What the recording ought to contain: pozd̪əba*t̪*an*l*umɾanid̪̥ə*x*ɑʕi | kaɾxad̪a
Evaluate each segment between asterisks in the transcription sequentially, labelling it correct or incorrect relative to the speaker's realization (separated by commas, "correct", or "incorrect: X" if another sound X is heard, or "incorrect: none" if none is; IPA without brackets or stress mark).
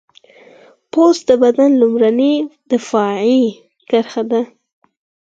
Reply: incorrect: d̪, correct, incorrect: f